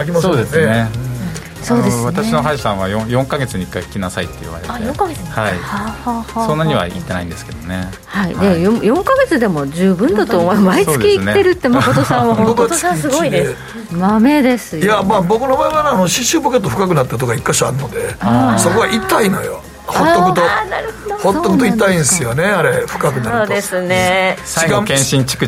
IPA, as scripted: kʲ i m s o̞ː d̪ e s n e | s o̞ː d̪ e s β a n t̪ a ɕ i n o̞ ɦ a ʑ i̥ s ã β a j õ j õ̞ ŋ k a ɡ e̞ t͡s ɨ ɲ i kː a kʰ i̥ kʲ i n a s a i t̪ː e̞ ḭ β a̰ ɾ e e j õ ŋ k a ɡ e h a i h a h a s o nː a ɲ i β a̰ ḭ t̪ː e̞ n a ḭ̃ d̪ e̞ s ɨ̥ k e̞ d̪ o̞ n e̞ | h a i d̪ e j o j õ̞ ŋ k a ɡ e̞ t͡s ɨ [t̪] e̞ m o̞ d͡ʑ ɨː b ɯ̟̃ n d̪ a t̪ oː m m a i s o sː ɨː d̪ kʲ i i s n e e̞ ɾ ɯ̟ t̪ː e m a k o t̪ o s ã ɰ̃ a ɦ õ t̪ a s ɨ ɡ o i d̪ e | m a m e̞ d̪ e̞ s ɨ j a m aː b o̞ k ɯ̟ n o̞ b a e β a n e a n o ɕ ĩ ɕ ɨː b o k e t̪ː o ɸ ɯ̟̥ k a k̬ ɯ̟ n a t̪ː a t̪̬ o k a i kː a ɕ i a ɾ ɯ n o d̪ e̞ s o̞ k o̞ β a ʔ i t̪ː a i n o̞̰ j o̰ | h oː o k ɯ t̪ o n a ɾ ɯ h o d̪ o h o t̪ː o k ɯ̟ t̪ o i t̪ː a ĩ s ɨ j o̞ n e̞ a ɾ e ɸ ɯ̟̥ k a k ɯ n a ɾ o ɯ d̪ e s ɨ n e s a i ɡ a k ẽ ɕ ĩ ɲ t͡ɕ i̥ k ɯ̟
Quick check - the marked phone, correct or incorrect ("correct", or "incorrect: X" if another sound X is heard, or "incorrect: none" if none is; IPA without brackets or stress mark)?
incorrect: d̪